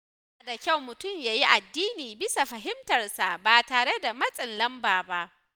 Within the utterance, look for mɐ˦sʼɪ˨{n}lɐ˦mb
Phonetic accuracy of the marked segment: correct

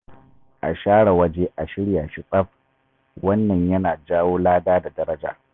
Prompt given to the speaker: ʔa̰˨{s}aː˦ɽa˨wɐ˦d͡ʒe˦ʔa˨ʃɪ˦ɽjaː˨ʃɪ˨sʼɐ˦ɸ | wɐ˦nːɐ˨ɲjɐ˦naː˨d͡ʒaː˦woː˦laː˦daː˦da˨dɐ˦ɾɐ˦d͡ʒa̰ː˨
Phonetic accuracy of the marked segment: incorrect: ʃ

